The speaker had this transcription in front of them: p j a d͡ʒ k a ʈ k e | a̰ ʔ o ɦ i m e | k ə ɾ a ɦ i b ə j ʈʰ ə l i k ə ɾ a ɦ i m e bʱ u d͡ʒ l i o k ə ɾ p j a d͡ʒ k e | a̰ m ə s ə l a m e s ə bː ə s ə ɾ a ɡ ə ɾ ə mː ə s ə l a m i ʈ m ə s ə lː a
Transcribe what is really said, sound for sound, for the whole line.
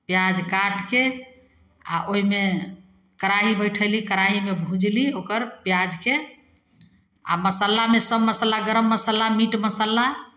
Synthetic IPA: p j a d͡ʒ k a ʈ k e | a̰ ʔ o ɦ i m e | k ə ɾ a ɦ i b ə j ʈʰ ə l i k ə ɾ a ɦ i m e bʱ u d͡ʒ l i o k ə ɾ p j a d͡ʒ k e | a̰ m ə s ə l a m e s ə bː ə s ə l a ɡ ə ɾ ə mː ə s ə l a m i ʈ m ə s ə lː a